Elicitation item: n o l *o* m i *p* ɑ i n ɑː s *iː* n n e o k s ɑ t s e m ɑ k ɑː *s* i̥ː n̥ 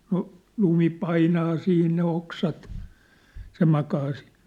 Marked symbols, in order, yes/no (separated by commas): no, yes, yes, yes